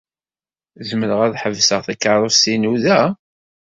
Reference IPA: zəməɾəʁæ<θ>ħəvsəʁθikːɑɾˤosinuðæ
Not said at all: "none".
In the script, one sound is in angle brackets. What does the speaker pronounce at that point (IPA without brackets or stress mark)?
ð